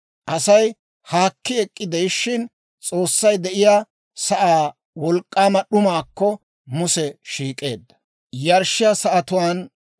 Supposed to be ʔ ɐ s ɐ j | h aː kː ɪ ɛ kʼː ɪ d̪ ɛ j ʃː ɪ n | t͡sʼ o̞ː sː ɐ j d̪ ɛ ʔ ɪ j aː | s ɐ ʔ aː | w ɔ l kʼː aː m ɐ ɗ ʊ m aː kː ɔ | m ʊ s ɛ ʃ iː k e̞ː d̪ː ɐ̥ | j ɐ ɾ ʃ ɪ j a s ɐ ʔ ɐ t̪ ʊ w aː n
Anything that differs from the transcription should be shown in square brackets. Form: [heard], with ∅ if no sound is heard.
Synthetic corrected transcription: ʔ ɐ s ɐ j | h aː kː ɪ ɛ kʼː ɪ d̪ ɛ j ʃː ɪ n | t͡sʼ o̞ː sː ɐ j d̪ ɛ ʔ ɪ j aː | s ɐ ʔ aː | w ɔ l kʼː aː m ɐ ɗ ʊ m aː kː ɔ | m ʊ s ɛ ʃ iː [kʼ] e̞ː d̪ː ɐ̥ | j ɐ ɾ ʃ ɪ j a s ɐ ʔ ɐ t̪ ʊ w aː n